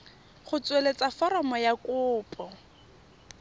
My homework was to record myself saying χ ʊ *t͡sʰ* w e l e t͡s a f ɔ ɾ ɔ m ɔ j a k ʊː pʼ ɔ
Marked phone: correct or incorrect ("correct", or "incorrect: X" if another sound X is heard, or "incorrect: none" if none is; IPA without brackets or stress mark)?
incorrect: t͡s